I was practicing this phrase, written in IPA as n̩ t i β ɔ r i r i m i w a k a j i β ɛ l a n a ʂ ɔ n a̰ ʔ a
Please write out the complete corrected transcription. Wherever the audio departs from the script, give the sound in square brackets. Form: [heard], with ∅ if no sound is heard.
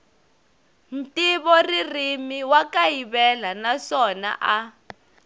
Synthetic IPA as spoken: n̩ t i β ɔ r i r i m i w a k a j i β ɛ l a n a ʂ ɔ n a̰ ʔ a